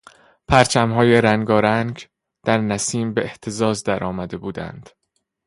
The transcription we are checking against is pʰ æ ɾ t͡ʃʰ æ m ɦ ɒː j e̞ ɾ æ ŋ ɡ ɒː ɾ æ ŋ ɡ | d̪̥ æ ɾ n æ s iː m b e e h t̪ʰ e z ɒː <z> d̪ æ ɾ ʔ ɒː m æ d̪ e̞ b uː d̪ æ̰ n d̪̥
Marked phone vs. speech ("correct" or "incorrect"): correct